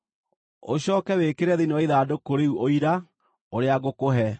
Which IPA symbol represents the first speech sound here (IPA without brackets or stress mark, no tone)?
o